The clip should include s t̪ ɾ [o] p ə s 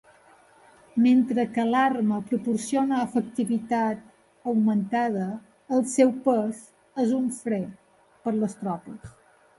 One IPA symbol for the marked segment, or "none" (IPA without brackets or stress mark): ɔ